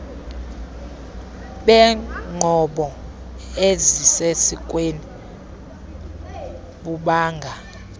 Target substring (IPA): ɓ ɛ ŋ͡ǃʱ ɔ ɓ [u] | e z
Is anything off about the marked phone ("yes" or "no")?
yes